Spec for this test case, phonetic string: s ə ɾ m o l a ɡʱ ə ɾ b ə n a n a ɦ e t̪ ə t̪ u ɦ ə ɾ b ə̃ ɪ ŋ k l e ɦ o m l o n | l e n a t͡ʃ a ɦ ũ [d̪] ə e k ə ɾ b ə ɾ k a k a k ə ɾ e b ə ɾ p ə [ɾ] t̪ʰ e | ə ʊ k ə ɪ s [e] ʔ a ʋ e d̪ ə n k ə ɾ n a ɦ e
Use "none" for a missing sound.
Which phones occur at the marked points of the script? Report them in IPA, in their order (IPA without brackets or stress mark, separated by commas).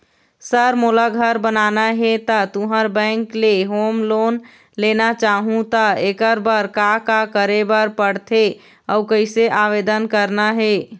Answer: t̪, ɽ, e